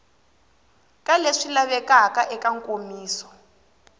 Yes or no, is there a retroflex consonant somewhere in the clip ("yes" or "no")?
yes